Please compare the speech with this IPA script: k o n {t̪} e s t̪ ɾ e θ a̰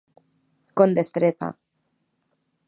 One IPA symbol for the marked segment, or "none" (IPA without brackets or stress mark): d̪